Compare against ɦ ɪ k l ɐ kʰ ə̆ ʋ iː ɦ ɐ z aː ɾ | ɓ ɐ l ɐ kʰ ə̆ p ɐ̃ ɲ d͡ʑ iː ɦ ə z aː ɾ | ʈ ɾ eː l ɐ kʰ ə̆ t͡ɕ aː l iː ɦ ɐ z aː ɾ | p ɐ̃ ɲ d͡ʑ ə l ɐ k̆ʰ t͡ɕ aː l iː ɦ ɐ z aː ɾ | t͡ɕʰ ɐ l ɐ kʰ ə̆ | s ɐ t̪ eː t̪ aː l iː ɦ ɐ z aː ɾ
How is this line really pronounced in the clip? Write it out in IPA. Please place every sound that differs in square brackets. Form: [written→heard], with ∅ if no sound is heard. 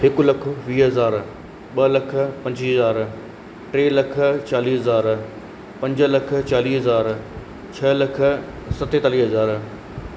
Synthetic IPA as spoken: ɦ ɪ k l ɐ kʰ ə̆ ʋ iː ɦ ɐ z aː ɾ | ɓ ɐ l ɐ kʰ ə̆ p ɐ̃ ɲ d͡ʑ iː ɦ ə z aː ɾ | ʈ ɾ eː l ɐ kʰ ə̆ t͡ɕ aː l iː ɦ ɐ z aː ɾ | p ɐ̃ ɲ d͡ʑ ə l ɐ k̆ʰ t͡ɕ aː l iː ɦ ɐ z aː ɾ | t͡ɕʰ ɐ l ɐ kʰ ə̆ | s ɐ t̪ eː t̪ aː l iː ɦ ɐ z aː ɾ